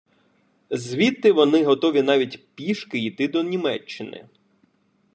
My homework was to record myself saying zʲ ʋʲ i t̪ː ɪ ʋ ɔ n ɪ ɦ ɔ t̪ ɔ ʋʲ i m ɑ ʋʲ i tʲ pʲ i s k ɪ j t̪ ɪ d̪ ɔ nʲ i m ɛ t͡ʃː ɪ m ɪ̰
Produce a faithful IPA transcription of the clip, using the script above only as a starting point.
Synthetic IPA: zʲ ʋʲ i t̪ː ɪ ʋ ɔ n ɪ ɦ ɔ t̪ ɔ ʋʲ i n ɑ ʋʲ i tʲ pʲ i ʃ k ɪ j t̪ ɪ d̪ ɔ nʲ i m ɛ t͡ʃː ɪ n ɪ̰

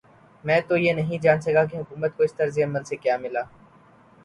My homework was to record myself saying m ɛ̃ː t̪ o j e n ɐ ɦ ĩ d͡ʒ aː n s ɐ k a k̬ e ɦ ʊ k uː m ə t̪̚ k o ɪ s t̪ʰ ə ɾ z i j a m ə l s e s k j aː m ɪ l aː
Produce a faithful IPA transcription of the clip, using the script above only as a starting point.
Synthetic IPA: m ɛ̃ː t̪ o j e n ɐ ɦ ĩ d͡ʒ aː n s ɐ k a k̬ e ɦ ʊ k uː m ə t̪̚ k o ɪ s t̪ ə ɾ z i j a m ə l s e k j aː m ɪ l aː

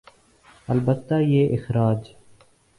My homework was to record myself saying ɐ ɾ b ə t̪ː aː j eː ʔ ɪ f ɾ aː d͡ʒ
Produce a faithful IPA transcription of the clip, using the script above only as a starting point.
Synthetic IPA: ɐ l b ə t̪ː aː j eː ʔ ɪ x ɾ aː d͡ʒ

